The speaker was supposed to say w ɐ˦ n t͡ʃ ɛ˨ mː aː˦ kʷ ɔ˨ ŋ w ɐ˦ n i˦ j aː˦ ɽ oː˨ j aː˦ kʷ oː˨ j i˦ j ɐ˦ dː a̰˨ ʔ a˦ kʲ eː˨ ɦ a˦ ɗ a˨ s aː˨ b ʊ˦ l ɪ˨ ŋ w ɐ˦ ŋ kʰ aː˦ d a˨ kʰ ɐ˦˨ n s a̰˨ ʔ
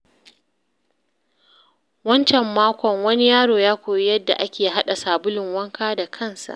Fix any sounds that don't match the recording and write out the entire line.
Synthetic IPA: w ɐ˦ n t͡ʃ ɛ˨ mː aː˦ kʷ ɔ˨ ŋ w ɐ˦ n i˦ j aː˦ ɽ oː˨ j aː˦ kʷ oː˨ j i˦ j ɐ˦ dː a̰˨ ʔ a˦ kʲ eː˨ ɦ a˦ ɗ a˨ s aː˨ b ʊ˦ l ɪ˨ ŋ w ɐ˦ ŋ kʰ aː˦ d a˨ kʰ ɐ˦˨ n s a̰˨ ʔ

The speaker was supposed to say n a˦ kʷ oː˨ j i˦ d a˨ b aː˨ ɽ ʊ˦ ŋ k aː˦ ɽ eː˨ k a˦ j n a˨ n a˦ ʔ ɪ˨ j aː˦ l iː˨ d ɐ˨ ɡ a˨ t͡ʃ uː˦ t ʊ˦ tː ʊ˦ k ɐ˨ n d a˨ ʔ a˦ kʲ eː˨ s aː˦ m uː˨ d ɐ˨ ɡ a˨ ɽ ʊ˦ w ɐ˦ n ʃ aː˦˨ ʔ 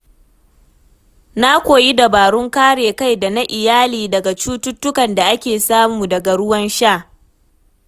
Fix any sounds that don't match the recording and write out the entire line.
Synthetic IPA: n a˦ kʷ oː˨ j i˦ d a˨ b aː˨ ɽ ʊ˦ ŋ k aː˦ ɽ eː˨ k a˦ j d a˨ n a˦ ʔ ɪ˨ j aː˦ l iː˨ d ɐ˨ ɡ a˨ t͡ʃ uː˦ t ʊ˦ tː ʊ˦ k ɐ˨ n d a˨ ʔ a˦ kʲ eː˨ s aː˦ m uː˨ d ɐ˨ ɡ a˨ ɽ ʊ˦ w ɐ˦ n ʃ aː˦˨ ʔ

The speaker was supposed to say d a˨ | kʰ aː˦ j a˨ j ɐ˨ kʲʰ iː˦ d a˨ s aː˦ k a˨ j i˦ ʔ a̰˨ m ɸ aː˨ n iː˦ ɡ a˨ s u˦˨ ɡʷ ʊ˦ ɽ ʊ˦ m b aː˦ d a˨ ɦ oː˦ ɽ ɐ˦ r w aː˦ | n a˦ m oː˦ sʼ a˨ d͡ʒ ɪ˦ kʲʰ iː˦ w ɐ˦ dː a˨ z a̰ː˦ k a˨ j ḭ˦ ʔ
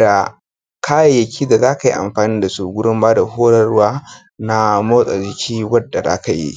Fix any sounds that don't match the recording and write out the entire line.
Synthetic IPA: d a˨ | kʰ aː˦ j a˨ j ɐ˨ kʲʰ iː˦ d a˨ z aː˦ k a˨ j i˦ ʔ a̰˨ m ɸ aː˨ n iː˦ d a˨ s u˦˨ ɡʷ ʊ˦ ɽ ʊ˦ m b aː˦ d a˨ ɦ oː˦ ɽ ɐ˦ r w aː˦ | n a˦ m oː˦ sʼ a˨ d͡ʒ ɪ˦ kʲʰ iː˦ w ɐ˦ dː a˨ z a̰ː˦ k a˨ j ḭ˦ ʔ

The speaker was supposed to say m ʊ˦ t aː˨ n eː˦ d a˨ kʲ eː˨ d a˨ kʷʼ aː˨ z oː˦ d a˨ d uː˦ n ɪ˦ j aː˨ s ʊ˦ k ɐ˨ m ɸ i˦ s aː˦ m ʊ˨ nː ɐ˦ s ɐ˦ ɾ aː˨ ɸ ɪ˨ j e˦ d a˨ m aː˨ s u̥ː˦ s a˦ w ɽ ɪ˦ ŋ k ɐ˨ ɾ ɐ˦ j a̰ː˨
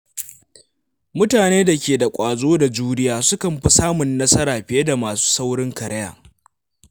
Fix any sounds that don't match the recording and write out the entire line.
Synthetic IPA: m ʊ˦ t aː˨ n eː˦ d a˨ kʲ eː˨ d a˨ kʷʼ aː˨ z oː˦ d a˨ d͡ʒ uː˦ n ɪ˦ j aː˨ s ʊ˦ k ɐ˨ m ɸ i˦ s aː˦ m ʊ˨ nː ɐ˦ s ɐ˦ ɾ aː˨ ɸ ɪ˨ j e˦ d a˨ m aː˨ s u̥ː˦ s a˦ w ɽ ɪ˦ ŋ k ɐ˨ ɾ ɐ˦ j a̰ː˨

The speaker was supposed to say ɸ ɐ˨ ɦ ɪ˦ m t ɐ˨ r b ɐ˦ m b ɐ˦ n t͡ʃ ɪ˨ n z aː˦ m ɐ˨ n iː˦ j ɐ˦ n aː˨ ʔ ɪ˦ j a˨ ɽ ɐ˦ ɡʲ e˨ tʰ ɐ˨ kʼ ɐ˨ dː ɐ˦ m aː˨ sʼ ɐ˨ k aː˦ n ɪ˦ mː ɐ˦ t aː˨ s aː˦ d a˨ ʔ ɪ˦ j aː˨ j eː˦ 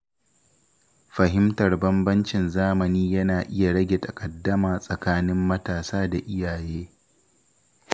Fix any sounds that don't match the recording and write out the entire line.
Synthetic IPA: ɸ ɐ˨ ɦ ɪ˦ m t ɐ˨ r b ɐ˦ m b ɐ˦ n t͡ʃ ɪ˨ n z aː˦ m ɐ˨ n iː˦ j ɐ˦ n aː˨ ʔ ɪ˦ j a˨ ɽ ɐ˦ ɡʲ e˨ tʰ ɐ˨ kʼ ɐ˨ dː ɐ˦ m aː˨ sʼ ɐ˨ k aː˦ n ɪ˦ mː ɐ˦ t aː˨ s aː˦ d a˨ ʔ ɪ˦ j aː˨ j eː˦

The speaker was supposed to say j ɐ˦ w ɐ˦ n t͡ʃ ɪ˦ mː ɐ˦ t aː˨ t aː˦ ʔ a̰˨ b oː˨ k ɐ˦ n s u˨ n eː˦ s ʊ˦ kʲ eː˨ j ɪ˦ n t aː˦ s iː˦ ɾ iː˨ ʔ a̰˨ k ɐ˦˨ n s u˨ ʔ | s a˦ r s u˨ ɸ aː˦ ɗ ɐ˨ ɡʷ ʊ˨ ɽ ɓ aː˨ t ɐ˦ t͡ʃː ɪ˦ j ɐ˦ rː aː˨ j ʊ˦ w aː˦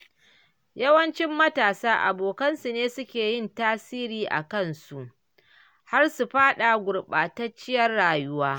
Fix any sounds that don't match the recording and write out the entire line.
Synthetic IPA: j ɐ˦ w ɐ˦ n t͡ʃ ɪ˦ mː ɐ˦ t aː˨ s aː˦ ʔ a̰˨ b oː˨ k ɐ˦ n s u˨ n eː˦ s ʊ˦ kʲ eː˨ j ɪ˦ n t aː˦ s iː˦ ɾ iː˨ ʔ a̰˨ k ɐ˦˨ n s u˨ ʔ | h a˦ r s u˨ ɸ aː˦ ɗ a˨ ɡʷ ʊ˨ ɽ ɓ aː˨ t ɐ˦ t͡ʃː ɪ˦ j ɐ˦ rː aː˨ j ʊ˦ w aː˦

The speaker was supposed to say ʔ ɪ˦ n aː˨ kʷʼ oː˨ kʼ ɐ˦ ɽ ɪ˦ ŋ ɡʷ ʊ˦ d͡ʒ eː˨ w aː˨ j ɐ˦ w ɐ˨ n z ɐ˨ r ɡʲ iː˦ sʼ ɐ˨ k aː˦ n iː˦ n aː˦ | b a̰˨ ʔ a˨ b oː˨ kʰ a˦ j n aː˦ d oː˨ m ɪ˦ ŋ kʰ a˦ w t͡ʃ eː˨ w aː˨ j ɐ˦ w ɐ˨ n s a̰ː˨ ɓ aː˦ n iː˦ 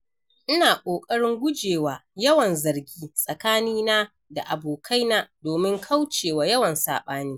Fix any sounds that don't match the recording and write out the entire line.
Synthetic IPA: ʔ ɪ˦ n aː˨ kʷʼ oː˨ kʼ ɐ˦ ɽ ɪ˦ ŋ ɡʷ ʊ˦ d͡ʒ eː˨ w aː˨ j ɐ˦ w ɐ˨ n z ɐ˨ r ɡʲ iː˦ sʼ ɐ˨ k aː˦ n iː˦ n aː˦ | d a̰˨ ʔ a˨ b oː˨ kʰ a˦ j n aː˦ d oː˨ m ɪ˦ ŋ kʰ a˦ w t͡ʃ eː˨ w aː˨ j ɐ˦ w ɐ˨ n s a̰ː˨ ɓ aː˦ n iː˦

